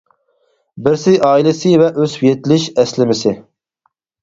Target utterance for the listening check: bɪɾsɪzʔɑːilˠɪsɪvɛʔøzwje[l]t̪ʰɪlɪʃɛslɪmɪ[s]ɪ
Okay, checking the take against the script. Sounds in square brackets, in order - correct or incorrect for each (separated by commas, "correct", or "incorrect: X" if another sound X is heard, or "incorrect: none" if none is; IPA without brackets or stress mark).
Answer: incorrect: none, correct